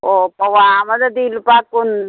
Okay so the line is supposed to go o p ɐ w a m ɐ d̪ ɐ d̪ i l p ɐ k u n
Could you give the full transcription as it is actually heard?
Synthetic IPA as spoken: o p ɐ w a m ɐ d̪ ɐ d̪ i l p a k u n